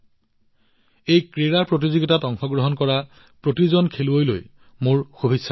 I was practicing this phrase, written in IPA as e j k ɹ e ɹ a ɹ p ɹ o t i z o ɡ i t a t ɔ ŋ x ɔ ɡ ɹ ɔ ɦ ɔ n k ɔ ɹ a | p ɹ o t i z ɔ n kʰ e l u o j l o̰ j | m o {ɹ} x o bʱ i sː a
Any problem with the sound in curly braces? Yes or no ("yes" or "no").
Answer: no